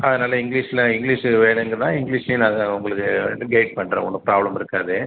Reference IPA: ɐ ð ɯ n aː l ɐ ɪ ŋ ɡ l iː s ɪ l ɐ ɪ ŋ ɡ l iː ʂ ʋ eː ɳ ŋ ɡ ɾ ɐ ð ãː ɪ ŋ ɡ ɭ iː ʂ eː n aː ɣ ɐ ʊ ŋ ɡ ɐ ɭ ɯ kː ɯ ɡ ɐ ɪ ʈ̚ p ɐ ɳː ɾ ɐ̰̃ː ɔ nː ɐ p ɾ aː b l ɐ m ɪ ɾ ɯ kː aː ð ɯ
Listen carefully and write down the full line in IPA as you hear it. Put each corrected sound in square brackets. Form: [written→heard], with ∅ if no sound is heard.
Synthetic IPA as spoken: ɐ ð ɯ n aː l ɐ ɪ ŋ ɡ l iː [s→ʂ] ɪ l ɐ ɪ ŋ ɡ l iː ʂ ʋ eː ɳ ŋ ɡ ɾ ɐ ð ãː ɪ ŋ ɡ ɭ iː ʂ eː n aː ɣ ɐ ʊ ŋ ɡ ɐ ɭ ɯ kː ɯ ɡ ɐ ɪ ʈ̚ p ɐ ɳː ɾ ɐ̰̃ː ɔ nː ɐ p ɾ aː b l ɐ m ɪ ɾ ɯ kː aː ð ɯ

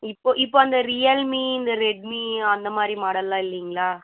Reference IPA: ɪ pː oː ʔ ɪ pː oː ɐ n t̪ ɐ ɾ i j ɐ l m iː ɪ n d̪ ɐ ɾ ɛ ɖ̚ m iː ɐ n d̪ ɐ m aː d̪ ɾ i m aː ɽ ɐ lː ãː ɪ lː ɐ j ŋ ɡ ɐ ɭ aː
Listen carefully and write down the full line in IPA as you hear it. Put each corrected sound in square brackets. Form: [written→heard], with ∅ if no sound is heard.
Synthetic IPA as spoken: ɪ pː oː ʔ ɪ pː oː ɐ n [t̪→d̪] ɐ ɾ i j ɐ l m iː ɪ n d̪ ɐ ɾ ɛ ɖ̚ m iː ɐ n d̪ ɐ m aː d̪ ɾ i m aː ɽ ɐ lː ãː ɪ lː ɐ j ŋ ɡ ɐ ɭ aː

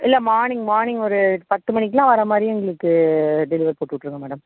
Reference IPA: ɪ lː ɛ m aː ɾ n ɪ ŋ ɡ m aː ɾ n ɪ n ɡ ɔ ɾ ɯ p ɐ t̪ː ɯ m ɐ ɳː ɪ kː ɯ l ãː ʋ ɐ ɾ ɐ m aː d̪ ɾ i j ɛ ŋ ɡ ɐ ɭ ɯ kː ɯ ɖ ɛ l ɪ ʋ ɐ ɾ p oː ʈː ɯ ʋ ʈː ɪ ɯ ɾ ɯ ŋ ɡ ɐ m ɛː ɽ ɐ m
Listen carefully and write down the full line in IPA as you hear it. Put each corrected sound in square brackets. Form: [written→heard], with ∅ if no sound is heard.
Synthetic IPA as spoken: ɪ lː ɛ m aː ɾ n ɪ ŋ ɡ m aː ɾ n ɪ [n→ŋ] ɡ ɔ ɾ ɯ p ɐ t̪ː ɯ m ɐ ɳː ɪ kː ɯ l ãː ʋ ɐ ɾ ɐ m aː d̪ ɾ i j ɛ ŋ ɡ ɐ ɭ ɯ kː ɯ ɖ ɛ l ɪ ʋ ɐ ɾ p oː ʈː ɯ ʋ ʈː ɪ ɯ ɾ ɯ ŋ ɡ ɐ m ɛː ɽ ɐ m

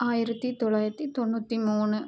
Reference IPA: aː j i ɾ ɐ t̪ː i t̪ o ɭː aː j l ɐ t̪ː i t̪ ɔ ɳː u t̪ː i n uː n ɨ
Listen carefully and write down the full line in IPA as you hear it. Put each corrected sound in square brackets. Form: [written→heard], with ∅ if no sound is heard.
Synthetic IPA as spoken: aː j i ɾ ɐ t̪ː i t̪ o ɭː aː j [l→ɾ] ɐ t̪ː i t̪ [ɔ→o] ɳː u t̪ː i [n→m] uː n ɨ

